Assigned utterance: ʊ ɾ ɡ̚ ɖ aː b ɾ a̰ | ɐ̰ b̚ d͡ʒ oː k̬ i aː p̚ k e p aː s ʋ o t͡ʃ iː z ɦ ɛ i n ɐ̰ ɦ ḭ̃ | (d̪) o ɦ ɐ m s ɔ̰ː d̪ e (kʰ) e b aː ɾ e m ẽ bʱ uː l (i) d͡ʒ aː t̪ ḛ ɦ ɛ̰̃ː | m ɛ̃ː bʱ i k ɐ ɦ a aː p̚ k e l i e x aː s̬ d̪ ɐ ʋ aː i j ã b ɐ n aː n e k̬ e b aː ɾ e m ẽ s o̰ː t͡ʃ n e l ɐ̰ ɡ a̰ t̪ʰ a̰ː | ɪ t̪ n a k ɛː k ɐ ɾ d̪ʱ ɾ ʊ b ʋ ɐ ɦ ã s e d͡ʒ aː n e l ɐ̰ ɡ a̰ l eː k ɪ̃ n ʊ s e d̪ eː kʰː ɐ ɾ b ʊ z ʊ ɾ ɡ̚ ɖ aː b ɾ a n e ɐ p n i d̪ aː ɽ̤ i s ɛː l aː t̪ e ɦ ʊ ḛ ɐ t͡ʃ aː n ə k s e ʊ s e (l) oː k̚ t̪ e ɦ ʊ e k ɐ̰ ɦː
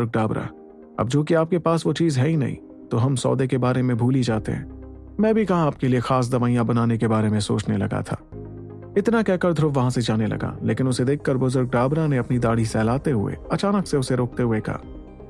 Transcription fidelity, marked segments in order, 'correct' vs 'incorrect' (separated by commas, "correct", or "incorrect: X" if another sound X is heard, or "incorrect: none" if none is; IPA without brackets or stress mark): incorrect: t̪, incorrect: k, correct, incorrect: ɾ